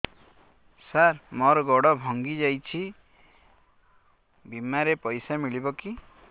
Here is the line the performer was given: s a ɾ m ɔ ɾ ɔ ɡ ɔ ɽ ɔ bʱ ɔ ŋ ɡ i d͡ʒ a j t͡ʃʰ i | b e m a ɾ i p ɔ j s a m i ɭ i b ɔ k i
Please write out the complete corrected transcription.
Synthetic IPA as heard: s a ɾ m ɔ ɾ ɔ ɡ ɔ ɽ ɔ bʱ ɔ ŋ ɡ i d͡ʒ a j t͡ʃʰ i | b i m a ɾ e p ɔ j s a m i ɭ i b ɔ k i